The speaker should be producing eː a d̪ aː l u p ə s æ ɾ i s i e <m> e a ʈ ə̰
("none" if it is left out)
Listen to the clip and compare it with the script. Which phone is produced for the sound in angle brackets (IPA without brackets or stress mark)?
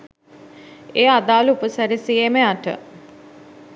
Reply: m